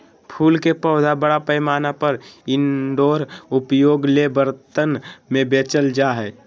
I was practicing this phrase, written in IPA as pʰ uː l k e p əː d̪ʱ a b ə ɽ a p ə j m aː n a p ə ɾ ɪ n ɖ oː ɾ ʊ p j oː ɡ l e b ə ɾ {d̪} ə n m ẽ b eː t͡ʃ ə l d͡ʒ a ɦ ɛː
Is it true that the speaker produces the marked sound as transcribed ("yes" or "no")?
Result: no